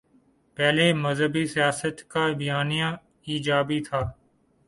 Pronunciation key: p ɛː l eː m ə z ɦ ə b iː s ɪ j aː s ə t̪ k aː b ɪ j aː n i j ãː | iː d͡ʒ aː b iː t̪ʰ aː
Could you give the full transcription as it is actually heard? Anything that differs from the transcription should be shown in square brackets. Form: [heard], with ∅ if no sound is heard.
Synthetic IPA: p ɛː l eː m ə z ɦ ə b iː s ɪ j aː s ə t̪ k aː b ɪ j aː n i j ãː | iː d͡ʒ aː b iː t̪ʰ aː